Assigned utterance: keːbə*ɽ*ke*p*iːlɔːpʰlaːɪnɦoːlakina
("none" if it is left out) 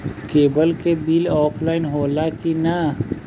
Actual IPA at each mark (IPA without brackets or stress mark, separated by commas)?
l, b